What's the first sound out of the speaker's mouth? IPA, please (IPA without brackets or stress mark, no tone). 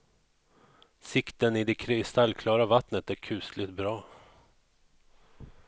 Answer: s